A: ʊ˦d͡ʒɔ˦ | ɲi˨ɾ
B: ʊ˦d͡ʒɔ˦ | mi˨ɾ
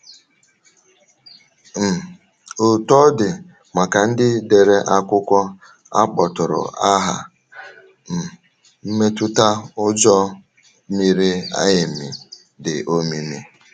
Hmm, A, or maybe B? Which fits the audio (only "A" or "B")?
B